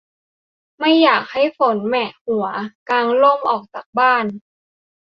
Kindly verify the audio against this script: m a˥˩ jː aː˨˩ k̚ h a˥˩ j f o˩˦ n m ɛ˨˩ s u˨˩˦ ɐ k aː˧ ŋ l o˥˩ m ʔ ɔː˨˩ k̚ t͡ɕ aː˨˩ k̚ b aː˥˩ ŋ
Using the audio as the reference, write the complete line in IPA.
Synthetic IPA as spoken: m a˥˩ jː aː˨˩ k̚ h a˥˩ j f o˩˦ n m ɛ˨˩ h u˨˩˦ ɐ k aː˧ ŋ l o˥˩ m ʔ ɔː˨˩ k̚ t͡ɕ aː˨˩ k̚ b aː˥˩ n